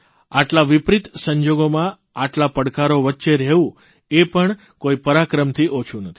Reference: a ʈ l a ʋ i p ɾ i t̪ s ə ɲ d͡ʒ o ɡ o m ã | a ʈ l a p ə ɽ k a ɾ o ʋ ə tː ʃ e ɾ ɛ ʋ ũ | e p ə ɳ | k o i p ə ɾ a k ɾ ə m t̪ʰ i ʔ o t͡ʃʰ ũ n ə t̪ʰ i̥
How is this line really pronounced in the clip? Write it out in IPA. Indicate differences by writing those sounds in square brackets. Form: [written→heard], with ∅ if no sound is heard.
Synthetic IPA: a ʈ l a ʋ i p ɾ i t̪ s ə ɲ d͡ʒ o ɡ o m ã | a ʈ l a p ə ɽ k a ɾ o ʋ ə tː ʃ e ɾ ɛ ʋ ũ | e p ə ɳ | k o i p ə ɾ a k ɾ ə m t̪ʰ i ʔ o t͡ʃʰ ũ n ə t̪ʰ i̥

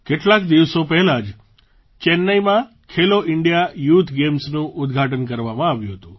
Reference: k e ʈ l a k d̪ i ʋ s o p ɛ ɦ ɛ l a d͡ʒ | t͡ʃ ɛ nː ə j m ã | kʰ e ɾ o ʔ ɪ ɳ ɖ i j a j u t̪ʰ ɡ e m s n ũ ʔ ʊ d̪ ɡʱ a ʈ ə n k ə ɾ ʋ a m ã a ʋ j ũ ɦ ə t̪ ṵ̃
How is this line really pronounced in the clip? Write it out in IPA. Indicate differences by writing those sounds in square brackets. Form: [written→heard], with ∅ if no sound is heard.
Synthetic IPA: k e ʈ l a k d̪ i ʋ s o p ɛ ɦ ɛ l a d͡ʒ | t͡ʃ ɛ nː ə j m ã | kʰ e [ɾ→l] o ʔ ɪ ɳ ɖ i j a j u t̪ʰ ɡ e m s n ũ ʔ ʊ d̪ ɡʱ a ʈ ə n k ə ɾ ʋ a m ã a ʋ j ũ ɦ ə t̪ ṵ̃

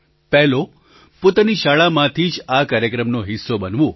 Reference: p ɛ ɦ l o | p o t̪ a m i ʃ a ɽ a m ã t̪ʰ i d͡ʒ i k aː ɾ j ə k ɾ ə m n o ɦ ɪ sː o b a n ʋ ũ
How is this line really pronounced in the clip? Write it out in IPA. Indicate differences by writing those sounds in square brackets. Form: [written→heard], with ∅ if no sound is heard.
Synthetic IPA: p ɛ ɦ l o | p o t̪ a [m→n] i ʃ a [ɽ→ɭ] a m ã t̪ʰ i d͡ʒ [i→a] k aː ɾ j ə k ɾ ə m n o ɦ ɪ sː o b [a→ə] n ʋ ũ

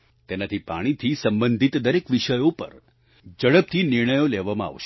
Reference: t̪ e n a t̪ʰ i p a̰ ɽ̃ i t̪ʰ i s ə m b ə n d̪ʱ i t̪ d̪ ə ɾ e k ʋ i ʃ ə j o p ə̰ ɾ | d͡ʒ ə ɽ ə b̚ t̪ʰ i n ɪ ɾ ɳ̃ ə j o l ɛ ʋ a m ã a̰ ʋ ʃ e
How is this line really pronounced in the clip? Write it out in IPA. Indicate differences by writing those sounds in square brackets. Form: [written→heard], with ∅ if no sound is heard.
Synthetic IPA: t̪ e n a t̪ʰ i p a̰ ɽ̃ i t̪ʰ i s ə m b ə n d̪ʱ i t̪ d̪ ə ɾ e k ʋ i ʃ ə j o p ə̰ ɾ | d͡ʒ ə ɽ ə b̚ t̪ʰ i n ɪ ɾ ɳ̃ ə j o l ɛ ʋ a m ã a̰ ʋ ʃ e

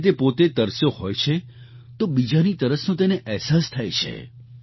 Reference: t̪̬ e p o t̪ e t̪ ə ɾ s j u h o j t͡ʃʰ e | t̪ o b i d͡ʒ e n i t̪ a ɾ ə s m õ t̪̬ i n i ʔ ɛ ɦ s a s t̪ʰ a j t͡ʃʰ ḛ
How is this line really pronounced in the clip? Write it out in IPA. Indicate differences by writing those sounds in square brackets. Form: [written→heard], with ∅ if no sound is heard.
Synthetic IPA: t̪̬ e p o t̪ e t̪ ə ɾ s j [u→o] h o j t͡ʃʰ e | t̪ o b i d͡ʒ [e→a] n i t̪ [a→ə] ɾ ə s [m→n] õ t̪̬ [i→e] n [i→e] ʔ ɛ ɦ s a s t̪ʰ a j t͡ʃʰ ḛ

